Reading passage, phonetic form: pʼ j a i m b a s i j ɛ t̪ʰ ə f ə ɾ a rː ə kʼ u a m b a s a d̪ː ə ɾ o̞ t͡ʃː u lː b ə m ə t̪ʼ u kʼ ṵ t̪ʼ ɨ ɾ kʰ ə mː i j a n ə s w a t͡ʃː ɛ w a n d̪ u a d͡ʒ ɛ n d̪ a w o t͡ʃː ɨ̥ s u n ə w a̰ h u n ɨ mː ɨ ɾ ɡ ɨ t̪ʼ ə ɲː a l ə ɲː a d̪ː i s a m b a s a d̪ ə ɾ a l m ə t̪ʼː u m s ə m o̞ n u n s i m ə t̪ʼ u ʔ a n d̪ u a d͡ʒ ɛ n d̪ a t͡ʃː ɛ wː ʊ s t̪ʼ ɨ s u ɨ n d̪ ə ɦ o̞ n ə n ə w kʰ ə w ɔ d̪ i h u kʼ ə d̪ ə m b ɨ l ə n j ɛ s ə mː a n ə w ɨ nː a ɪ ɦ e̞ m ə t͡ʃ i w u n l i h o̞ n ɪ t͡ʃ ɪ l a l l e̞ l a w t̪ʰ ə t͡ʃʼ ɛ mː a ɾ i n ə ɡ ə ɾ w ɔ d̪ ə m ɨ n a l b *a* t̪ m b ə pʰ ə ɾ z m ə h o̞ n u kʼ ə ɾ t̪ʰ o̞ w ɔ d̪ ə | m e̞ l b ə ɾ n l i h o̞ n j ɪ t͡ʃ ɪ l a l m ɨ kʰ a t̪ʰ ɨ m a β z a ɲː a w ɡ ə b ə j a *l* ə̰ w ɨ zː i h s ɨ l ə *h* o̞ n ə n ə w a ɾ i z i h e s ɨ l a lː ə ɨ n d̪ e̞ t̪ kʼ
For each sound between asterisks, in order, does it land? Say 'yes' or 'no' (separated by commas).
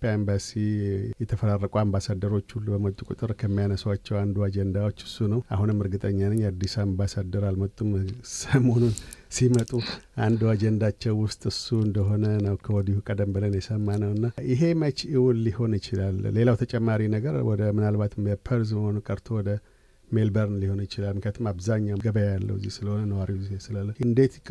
yes, no, yes